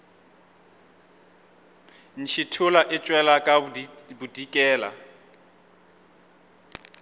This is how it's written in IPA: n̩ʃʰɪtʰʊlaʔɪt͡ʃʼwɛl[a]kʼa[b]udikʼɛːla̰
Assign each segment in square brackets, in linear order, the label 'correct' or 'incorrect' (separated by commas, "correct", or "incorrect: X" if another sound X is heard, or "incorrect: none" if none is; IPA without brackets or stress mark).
correct, correct